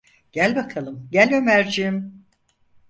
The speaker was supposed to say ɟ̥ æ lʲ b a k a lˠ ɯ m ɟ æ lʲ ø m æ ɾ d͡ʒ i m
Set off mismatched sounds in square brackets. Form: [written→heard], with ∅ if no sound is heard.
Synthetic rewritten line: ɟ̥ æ lʲ b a [k→kʰ] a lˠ ɯ m ɟ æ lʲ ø m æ ɾ d͡ʒ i m